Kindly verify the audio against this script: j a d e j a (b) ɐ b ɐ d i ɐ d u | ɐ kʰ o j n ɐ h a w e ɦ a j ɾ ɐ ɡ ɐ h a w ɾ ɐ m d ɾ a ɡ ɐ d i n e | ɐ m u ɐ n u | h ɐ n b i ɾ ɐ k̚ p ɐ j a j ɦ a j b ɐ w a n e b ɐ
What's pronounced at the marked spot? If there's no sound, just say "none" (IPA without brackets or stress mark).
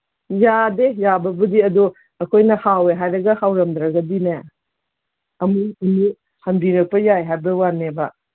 b